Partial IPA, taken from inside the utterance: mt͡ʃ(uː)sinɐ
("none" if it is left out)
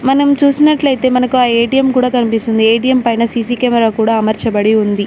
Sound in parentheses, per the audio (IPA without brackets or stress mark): uː